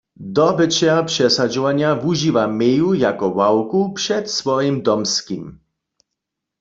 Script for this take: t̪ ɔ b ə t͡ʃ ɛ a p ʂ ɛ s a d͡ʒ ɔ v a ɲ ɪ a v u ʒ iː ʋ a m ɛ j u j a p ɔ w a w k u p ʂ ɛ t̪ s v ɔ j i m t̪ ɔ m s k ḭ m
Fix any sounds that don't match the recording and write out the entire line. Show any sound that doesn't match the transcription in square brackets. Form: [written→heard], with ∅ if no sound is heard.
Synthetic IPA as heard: [t̪→d̪] ɔ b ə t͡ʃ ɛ a p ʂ ɛ s a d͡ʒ ɔ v a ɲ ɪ a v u ʒ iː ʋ a m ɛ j u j a [p→k] ɔ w a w k u p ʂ ɛ t̪ s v ɔ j i m [t̪→d̪] ɔ m s k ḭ m